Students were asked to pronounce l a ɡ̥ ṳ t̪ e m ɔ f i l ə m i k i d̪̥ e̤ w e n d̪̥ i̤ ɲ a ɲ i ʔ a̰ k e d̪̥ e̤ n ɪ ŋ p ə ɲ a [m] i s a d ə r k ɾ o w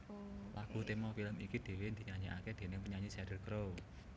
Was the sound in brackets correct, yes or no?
no